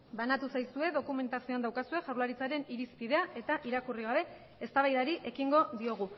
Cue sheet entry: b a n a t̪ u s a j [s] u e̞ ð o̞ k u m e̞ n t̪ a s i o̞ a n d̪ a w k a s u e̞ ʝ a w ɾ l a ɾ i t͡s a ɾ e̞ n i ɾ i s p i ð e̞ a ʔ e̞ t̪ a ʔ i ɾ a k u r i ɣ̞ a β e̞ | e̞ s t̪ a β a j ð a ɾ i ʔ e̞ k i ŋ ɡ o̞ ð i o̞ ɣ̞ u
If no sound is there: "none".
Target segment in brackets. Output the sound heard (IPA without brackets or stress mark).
s